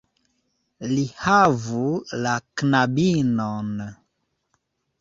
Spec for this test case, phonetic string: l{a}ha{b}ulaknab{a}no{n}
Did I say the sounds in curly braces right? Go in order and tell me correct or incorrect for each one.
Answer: incorrect: i, incorrect: v, incorrect: i, correct

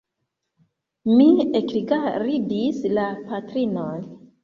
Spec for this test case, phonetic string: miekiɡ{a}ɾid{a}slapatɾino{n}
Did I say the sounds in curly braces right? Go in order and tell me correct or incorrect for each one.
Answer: correct, incorrect: i, correct

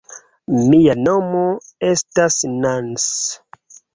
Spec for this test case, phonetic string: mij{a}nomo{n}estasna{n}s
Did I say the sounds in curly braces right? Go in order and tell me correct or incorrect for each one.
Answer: correct, incorrect: none, correct

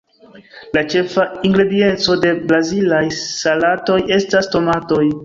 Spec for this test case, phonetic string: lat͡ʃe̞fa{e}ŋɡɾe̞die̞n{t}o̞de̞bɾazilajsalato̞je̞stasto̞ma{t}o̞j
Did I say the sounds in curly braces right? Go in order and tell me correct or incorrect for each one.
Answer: incorrect: i, incorrect: t͡s, correct

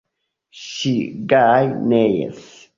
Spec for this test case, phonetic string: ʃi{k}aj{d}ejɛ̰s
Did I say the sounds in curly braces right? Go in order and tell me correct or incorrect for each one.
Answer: incorrect: ɡ, incorrect: n

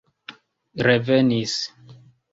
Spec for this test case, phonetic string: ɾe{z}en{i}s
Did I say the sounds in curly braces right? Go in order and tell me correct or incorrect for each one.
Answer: incorrect: v, correct

